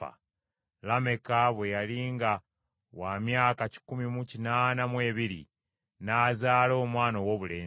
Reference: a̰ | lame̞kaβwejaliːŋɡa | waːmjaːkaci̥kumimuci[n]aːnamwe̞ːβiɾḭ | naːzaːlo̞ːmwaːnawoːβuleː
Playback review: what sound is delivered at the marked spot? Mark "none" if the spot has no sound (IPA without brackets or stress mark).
n